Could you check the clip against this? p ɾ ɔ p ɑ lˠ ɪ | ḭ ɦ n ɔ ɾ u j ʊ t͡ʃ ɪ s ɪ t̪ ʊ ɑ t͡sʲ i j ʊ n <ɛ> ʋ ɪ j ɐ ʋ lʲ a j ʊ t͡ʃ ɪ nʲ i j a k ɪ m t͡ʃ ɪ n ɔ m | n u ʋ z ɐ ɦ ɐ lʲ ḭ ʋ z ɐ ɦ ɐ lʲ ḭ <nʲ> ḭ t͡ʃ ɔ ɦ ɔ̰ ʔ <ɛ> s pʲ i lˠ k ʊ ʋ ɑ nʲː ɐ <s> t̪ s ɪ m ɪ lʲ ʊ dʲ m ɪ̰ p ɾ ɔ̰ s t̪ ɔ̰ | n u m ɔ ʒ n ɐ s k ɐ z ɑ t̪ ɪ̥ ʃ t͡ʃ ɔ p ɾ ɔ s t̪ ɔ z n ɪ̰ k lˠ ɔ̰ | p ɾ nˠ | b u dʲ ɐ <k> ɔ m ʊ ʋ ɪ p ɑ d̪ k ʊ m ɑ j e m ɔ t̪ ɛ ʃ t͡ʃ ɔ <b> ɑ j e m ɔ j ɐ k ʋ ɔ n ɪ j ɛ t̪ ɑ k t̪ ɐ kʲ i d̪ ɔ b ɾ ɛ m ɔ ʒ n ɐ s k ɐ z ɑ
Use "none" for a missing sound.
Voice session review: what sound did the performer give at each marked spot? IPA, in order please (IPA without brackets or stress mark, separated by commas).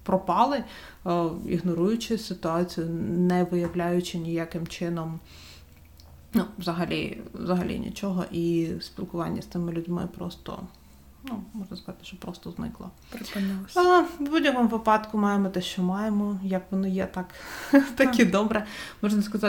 ɛ, nʲ, i, s, k, m